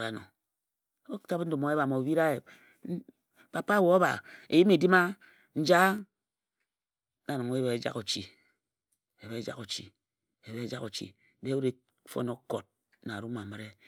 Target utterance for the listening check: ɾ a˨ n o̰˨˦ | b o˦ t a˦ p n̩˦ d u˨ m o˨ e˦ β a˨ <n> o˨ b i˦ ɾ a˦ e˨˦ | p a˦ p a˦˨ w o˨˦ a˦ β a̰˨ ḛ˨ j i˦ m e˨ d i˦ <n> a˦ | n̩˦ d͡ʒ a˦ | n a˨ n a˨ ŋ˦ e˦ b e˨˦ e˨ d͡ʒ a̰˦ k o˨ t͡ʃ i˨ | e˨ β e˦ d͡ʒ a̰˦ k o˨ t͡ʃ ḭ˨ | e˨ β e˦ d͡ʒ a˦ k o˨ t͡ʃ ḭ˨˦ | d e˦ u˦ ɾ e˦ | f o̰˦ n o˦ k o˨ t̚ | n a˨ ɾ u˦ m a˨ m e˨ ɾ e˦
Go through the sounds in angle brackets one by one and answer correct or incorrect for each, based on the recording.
incorrect, incorrect

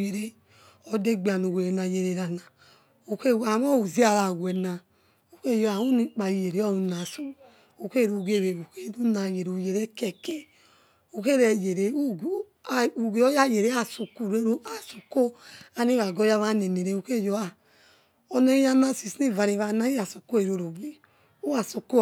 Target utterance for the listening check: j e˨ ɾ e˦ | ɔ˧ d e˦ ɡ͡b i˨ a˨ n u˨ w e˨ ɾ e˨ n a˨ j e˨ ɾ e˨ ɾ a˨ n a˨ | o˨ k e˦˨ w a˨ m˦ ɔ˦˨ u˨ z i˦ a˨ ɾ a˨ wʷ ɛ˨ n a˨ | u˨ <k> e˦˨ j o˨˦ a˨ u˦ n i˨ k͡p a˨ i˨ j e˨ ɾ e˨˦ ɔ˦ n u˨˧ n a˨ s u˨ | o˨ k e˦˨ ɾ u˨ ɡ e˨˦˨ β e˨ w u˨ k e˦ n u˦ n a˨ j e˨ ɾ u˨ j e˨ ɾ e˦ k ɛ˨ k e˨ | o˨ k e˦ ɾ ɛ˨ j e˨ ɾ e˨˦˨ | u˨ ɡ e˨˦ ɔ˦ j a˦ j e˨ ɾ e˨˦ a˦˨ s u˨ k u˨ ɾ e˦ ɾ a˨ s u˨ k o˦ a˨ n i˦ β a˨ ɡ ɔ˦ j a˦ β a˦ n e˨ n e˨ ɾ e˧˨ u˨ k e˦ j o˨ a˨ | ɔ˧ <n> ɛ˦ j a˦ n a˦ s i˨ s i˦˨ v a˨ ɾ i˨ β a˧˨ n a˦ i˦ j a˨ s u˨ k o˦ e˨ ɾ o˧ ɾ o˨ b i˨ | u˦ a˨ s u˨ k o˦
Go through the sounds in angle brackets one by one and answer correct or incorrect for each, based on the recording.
correct, correct

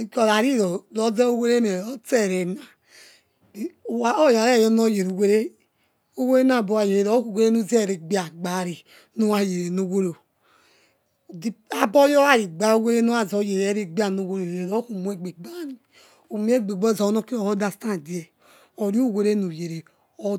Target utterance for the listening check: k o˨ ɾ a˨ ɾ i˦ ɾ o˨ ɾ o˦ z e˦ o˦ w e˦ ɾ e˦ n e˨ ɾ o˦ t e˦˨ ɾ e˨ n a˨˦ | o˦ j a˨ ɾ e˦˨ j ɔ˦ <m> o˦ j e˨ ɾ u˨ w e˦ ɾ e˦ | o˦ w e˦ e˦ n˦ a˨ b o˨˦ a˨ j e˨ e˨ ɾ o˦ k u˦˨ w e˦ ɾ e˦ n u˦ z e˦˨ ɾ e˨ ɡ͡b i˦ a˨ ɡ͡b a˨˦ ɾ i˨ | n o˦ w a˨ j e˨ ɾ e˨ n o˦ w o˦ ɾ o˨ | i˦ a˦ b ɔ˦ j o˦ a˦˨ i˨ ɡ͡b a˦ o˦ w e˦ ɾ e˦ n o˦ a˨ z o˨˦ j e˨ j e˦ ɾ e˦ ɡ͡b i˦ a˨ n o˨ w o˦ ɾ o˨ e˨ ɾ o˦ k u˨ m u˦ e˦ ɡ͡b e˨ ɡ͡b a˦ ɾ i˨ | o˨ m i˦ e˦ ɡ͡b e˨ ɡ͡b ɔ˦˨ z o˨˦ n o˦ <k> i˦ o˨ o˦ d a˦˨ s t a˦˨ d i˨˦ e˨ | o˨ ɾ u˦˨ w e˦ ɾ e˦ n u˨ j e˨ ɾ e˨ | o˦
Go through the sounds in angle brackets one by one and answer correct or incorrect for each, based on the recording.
incorrect, correct

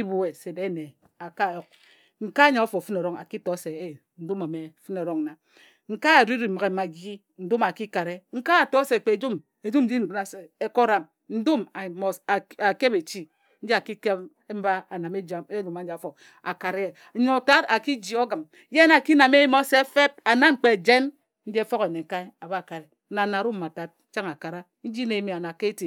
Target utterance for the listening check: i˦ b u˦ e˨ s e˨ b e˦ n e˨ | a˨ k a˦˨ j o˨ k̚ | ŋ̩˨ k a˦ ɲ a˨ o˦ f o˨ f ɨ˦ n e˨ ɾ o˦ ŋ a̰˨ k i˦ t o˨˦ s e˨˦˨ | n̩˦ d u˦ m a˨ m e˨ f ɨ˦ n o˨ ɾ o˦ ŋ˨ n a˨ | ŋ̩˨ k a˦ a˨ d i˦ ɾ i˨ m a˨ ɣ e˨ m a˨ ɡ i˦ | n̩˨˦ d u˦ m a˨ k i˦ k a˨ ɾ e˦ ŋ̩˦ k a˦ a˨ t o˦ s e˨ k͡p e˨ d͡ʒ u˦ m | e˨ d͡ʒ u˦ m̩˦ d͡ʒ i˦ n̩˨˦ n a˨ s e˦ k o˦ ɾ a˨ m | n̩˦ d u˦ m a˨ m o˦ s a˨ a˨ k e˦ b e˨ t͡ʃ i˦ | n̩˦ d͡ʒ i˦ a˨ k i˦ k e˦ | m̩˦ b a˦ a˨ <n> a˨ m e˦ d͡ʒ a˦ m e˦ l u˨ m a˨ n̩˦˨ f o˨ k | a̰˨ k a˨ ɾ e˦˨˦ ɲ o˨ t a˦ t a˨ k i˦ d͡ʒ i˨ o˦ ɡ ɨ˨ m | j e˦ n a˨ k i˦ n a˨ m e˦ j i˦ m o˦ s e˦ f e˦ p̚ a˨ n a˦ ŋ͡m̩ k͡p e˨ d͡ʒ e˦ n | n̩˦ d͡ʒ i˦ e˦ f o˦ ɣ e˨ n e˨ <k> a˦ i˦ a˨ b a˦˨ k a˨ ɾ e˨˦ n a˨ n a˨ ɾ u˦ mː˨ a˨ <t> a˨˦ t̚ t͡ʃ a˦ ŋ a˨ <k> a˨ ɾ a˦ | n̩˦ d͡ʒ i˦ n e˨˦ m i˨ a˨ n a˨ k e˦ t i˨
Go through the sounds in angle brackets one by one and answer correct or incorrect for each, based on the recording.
correct, correct, correct, correct

